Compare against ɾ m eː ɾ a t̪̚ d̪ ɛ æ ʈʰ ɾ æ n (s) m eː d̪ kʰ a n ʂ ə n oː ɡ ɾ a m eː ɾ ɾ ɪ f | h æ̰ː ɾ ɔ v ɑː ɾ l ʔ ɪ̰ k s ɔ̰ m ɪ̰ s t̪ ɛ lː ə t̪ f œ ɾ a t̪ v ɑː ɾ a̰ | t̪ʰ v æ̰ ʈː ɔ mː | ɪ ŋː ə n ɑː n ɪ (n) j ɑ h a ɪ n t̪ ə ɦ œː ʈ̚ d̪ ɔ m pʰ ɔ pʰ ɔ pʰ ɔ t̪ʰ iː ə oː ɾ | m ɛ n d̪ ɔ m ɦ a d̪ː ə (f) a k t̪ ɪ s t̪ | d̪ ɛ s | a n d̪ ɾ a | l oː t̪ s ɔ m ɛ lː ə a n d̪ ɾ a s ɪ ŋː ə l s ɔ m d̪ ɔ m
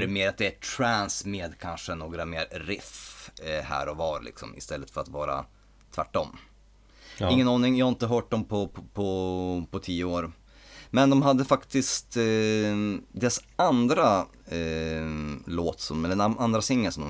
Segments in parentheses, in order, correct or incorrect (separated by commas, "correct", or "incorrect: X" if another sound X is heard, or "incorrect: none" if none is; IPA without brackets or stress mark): correct, incorrect: ŋ, correct